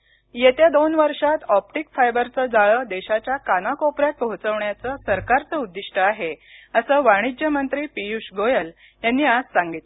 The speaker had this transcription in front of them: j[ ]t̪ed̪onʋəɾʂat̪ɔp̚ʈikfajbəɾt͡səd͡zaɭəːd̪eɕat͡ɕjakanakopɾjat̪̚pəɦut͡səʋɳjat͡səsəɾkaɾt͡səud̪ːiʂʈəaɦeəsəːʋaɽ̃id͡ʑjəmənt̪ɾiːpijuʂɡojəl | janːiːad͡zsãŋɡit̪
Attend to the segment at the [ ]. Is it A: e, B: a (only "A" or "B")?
A